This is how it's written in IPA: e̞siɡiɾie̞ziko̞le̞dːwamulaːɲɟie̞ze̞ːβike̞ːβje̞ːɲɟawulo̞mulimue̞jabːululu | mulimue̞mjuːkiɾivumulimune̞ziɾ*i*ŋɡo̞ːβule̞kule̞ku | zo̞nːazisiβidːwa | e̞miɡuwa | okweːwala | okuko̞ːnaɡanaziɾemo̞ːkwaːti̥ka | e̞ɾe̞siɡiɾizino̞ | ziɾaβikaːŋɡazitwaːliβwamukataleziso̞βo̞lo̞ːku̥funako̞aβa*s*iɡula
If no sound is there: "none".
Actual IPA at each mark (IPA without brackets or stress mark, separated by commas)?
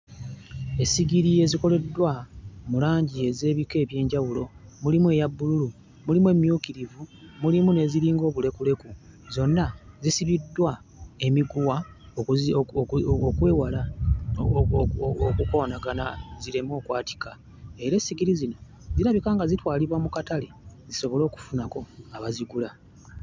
iː, z